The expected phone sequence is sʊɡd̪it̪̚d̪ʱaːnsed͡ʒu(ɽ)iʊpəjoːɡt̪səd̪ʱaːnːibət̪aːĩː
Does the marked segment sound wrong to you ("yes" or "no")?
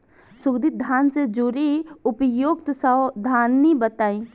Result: yes